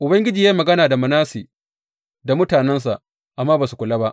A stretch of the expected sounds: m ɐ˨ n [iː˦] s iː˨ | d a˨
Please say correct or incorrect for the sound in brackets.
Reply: incorrect